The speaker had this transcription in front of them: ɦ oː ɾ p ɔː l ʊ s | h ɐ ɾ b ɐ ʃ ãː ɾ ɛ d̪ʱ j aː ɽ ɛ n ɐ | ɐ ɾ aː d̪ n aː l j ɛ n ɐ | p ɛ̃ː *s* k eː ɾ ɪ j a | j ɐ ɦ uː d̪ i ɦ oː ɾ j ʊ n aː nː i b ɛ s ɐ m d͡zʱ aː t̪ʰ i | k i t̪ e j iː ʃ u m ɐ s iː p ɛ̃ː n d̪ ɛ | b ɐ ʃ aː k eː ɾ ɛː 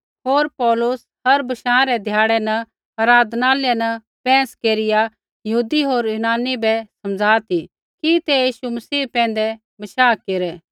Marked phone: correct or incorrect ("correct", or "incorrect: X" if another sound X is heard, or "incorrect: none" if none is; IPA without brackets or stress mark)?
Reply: correct